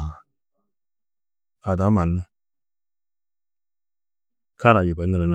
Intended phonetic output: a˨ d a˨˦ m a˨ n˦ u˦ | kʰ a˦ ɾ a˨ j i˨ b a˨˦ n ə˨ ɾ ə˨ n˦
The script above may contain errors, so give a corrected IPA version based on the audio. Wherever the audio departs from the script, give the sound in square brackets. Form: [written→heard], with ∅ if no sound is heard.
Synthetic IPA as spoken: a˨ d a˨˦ m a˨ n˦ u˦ | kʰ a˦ ɾ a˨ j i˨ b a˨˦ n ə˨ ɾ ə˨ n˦